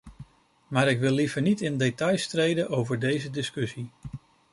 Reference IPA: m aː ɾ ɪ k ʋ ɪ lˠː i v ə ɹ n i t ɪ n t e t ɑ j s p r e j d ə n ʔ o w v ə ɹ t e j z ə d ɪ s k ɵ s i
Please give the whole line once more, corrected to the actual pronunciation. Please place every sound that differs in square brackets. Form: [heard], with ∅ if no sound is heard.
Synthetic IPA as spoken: m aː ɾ ɪ k ʋ ɪ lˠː i v ə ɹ n i t ɪ n [d] e t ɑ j s [t] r e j d ə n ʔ o w v ə ɹ [d] e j z ə d ɪ s k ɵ s i